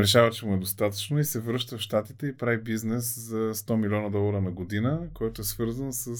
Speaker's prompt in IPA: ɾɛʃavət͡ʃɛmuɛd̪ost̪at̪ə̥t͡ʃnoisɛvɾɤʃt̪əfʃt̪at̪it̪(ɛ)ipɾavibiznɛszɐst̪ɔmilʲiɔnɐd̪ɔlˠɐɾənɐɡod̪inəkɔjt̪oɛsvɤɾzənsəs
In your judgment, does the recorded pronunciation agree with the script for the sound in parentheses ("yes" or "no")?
yes